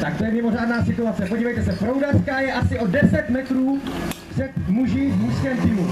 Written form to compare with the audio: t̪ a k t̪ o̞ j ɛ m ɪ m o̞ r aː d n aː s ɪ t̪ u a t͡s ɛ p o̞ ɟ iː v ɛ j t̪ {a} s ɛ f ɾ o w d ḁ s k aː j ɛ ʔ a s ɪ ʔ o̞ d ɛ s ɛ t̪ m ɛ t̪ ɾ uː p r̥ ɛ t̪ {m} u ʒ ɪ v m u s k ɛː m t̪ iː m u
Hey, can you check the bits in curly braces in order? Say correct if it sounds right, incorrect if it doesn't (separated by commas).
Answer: incorrect, correct